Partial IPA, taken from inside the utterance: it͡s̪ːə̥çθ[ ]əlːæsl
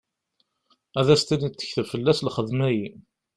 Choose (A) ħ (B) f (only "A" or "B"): B